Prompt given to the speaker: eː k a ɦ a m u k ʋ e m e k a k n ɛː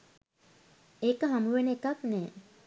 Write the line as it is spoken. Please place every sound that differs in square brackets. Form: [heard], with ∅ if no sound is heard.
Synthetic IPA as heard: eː k [ə] ɦ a m u [∅] ʋ e [n] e k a k n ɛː